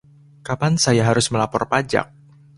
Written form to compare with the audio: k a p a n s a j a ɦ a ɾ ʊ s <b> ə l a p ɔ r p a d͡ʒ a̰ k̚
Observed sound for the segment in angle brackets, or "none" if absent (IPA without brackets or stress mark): m